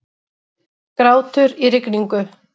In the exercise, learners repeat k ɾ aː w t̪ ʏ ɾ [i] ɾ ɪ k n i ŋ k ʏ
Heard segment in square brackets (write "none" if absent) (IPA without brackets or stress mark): i